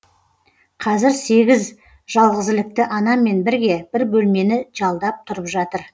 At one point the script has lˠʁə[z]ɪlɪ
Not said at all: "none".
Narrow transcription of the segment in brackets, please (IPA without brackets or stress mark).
z